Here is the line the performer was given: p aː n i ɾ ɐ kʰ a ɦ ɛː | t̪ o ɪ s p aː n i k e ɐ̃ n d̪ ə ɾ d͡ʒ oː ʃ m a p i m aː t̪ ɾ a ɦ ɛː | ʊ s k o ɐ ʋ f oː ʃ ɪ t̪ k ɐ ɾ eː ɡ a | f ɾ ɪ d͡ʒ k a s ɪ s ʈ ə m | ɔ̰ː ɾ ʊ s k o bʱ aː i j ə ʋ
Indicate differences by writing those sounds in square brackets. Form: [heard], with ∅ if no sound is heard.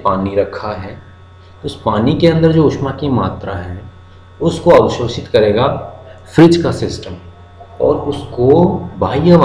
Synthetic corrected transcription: p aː n i ɾ ɐ kʰ a ɦ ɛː | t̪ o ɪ s p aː n i k e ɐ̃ n d̪ ə ɾ d͡ʒ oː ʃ m a [k] i m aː t̪ ɾ a ɦ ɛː | ʊ s k o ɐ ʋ [ʃ] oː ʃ ɪ t̪ k ɐ ɾ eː ɡ a | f ɾ ɪ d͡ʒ k a s ɪ s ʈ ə m | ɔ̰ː ɾ ʊ s k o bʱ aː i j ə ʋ